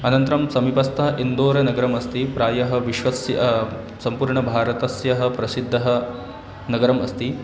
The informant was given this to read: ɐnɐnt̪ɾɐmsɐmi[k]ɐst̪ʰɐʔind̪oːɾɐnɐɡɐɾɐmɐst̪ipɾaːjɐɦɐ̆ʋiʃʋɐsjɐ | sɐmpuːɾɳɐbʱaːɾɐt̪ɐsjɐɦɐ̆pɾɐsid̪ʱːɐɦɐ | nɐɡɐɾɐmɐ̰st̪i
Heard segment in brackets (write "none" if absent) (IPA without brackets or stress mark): p